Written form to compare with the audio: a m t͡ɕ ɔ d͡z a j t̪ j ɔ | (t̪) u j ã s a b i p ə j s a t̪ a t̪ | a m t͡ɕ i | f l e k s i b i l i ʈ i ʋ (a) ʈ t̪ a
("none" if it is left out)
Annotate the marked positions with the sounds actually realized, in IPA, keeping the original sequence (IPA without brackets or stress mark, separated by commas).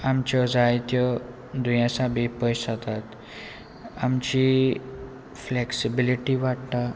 d̪, a